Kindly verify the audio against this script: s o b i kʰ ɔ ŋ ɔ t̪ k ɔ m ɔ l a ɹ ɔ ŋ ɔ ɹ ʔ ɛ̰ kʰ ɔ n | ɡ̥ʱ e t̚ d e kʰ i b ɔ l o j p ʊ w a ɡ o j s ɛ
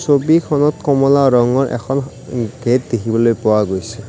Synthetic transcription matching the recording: s o b i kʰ ɔ n ɔ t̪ k ɔ m ɔ l a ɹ ɔ ŋ ɔ ɹ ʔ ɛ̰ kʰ ɔ n | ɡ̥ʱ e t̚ d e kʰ i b ɔ l o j p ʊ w a ɡ o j s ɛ